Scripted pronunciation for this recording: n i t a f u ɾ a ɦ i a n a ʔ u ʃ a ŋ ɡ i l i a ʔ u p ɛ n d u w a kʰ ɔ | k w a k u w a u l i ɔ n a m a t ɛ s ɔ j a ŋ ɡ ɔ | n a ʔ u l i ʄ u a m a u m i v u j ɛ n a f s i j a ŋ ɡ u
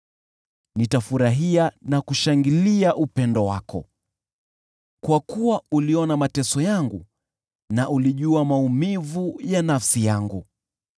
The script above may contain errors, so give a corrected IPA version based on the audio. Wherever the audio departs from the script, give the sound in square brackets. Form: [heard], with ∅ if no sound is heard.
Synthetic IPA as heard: n i t a f u ɾ a ɦ i a n a [k] u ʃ a ŋ ɡ i l i a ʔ u p ɛ n d [ɔ] w a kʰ ɔ | k w a k u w a u l i ɔ n a m a t ɛ s ɔ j a ŋ ɡ [u] | n a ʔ u l i ʄ u a m a u m i v u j [a] n a f s i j a ŋ ɡ u